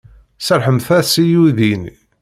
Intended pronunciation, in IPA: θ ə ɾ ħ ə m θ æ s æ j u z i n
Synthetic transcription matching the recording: s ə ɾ ħ ə m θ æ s i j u ð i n